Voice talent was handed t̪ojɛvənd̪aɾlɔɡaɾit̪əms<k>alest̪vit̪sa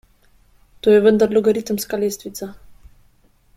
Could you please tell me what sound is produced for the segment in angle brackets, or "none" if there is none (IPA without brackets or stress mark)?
k